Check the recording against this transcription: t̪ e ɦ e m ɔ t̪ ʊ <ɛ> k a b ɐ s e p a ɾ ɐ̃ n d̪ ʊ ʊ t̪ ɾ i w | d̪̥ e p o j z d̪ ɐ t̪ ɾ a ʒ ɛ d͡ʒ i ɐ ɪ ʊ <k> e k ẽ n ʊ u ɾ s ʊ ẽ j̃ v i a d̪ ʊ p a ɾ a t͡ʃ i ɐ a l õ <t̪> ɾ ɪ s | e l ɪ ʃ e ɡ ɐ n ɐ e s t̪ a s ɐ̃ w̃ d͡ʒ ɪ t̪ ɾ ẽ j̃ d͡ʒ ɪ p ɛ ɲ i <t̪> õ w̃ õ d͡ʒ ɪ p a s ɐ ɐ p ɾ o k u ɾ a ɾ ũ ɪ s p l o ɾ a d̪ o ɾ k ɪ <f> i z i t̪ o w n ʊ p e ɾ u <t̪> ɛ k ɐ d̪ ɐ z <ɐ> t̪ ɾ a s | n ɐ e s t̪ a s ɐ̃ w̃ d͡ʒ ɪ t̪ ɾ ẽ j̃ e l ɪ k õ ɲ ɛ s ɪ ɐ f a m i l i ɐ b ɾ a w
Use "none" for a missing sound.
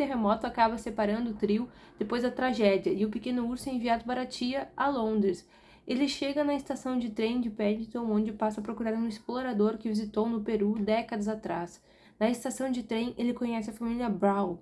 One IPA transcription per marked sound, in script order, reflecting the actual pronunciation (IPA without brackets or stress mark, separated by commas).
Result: a, p, d̪, t̪, v, d̪, a